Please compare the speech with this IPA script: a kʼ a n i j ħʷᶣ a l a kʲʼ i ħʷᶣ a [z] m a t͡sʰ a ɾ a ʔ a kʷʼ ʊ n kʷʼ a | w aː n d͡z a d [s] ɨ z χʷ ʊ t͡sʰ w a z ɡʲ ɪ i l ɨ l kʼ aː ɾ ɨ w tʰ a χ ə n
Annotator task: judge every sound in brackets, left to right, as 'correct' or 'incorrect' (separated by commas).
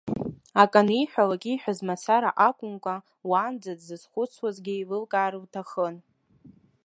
correct, incorrect